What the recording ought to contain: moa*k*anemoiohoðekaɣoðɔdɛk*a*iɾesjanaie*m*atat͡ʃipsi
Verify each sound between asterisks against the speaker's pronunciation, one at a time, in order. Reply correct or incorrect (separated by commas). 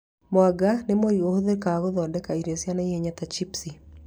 incorrect, correct, incorrect